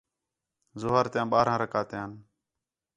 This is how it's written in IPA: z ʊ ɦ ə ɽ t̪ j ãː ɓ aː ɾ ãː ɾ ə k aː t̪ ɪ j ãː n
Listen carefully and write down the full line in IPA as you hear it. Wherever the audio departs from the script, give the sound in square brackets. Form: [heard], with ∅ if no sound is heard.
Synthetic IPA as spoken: z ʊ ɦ ə [ɾ] t̪ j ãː ɓ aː ɾ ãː ɾ ə k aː t̪ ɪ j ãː n